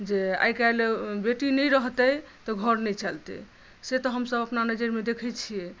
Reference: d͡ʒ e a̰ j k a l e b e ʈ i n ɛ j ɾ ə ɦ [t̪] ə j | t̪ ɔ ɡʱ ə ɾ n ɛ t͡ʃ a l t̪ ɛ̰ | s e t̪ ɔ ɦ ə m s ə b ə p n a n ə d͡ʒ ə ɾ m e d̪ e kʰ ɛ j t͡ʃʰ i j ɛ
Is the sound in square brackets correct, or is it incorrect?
correct